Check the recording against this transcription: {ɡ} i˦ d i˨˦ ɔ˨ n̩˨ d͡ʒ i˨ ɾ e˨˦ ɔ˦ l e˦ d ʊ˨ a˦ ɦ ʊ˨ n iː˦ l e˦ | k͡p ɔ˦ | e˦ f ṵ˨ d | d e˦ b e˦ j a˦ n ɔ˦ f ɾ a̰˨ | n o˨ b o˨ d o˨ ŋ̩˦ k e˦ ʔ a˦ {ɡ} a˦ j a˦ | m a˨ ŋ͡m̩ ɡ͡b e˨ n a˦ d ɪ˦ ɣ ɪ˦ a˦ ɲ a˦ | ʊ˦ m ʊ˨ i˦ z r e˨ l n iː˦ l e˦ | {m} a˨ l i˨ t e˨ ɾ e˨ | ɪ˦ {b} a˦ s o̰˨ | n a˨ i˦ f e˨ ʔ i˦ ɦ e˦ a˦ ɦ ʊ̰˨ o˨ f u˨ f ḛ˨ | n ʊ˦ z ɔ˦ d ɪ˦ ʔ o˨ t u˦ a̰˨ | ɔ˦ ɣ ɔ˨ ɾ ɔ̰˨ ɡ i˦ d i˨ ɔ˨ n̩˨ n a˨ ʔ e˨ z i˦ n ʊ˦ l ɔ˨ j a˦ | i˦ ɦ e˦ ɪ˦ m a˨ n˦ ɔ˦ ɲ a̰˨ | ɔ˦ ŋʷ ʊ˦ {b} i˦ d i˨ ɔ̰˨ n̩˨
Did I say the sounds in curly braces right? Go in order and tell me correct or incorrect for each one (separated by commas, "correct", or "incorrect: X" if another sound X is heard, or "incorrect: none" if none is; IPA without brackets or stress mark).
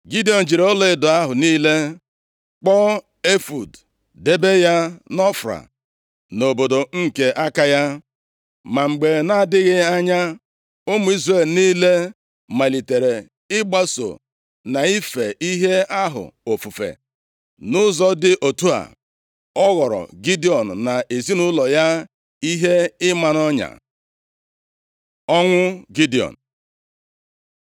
correct, incorrect: k, correct, incorrect: ɡ͡b, incorrect: ɡ